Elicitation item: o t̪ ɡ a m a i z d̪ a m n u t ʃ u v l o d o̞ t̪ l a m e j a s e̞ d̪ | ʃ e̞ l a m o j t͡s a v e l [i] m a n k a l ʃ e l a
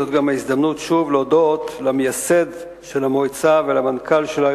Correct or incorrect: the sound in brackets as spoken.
incorrect: a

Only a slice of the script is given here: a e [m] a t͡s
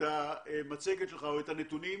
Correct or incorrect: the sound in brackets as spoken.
correct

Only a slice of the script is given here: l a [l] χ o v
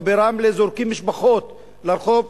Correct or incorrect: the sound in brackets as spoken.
incorrect: ɾ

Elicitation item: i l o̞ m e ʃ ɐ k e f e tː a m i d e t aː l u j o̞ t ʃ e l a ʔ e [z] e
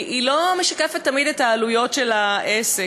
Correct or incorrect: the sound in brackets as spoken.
incorrect: s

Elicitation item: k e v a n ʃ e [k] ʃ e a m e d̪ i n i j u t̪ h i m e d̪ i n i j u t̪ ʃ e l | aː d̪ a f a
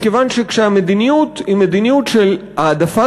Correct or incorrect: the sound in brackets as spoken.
correct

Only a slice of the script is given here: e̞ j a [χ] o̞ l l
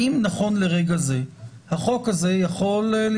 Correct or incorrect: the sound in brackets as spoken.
correct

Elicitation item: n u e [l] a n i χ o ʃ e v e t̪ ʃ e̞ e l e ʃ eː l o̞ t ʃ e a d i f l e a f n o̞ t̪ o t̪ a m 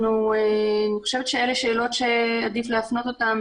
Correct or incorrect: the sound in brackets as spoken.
incorrect: none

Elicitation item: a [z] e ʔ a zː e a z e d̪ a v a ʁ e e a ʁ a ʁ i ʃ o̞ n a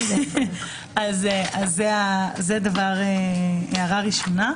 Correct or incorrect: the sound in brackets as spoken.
correct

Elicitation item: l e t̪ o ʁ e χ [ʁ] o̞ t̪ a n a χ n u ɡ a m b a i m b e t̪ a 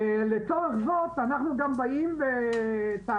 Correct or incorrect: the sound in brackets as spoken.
incorrect: z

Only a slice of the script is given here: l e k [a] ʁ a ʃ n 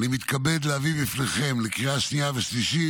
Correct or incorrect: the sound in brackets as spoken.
incorrect: i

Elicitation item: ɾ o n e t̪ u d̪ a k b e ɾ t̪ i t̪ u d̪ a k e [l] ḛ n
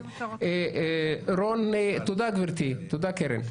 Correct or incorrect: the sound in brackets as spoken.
incorrect: ɾ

